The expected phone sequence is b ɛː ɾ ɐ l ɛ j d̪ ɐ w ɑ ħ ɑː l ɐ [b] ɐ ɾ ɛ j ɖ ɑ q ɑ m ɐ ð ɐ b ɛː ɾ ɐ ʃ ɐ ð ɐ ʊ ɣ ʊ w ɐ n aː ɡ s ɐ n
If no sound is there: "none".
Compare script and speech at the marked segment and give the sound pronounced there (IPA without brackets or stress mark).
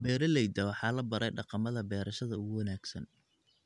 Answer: b